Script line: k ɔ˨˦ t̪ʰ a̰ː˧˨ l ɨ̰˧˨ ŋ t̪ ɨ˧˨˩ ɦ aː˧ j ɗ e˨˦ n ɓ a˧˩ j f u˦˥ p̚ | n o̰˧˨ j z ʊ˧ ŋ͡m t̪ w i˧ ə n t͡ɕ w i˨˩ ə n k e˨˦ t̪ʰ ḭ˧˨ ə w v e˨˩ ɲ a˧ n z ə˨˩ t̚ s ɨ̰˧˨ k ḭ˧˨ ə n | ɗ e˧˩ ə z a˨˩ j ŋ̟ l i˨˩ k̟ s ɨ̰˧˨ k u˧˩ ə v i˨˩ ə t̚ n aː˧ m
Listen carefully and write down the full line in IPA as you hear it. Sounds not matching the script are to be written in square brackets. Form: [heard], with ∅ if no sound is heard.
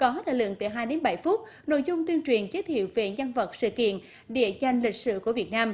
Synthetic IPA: k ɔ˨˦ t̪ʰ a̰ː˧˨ l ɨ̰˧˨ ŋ t̪ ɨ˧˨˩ ɦ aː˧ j ɗ e˨˦ n ɓ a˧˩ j f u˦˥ [t̚] | n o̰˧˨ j z ʊ˧ ŋ͡m t̪ w i˧ ə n t͡ɕ w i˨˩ ə n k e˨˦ t̪ʰ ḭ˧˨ ə w v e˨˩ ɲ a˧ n [v] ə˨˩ t̚ s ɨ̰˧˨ k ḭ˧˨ ə n | ɗ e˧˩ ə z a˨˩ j ŋ̟ l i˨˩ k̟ s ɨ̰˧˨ k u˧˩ ə v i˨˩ ə t̚ n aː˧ m